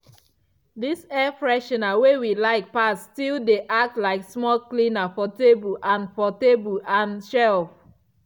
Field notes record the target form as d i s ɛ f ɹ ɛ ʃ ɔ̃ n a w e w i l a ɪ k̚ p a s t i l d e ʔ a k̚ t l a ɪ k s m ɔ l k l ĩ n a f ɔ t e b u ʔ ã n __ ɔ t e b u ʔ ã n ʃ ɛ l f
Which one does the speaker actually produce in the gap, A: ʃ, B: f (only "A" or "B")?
B